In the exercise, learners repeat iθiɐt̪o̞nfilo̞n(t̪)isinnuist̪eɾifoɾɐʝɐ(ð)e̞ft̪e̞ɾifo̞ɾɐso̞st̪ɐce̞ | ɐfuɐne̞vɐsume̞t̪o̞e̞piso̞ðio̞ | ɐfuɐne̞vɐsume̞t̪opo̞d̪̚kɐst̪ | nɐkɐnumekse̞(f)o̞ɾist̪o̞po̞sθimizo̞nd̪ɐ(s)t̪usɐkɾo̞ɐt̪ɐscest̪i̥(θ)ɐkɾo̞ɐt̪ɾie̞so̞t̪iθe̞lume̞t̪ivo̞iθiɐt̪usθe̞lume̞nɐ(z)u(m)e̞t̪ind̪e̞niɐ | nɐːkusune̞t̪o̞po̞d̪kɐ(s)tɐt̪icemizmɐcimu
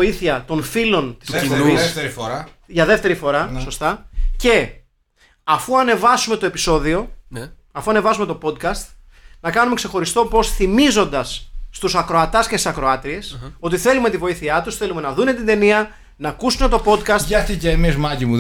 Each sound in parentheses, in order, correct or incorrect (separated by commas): correct, correct, incorrect, incorrect, incorrect, incorrect, incorrect, correct